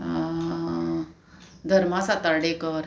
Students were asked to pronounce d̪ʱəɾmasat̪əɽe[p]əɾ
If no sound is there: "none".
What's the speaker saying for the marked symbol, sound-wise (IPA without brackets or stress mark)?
k